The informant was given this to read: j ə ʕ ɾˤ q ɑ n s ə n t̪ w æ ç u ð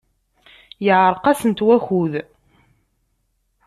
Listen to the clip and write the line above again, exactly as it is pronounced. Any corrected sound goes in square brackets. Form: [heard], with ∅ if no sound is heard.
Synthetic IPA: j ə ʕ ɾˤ q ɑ [∅] s ə n t̪ w æ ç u ð

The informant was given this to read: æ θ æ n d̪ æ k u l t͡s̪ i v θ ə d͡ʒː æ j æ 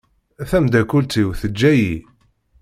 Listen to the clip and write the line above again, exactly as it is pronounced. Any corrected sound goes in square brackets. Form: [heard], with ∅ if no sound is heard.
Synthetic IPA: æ θ æ [m] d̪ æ k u l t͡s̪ i [w] θ ə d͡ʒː æ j [i]

